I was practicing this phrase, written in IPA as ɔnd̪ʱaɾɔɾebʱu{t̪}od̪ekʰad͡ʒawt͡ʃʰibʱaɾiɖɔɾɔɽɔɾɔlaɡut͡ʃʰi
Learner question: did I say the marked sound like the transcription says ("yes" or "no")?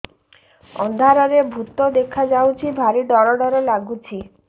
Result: yes